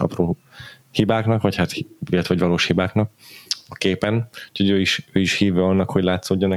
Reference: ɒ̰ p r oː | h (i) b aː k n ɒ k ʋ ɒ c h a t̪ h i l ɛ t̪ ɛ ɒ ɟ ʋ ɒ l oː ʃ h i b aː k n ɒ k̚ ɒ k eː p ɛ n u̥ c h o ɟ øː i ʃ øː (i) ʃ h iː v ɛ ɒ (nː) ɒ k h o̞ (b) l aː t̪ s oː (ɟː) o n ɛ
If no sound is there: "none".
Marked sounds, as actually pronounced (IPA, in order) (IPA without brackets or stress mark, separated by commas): i, i, nː, ɟ, ɟː